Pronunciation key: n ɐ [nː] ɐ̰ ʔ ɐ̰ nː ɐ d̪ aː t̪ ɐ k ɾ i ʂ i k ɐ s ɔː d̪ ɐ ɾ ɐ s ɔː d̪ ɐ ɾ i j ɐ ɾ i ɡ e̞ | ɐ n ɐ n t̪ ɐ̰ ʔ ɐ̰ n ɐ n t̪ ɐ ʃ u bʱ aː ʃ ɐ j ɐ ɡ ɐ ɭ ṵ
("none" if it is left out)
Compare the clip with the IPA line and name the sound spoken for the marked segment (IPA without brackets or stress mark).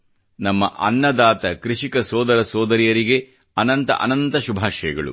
mː